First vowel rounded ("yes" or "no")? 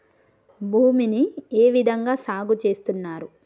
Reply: yes